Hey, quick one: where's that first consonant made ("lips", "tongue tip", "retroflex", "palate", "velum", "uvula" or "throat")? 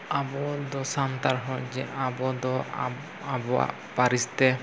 lips